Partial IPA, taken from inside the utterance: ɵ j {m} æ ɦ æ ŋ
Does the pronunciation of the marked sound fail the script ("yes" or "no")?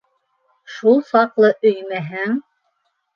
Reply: no